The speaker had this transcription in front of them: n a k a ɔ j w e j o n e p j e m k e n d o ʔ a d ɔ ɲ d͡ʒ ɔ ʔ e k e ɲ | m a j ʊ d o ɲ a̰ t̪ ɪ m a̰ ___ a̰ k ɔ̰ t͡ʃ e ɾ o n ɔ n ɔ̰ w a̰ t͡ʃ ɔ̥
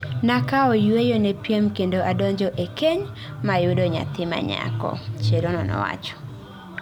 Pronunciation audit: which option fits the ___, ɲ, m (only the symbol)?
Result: ɲ